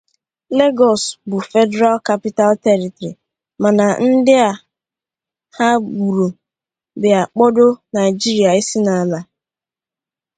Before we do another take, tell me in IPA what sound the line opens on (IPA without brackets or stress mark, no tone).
l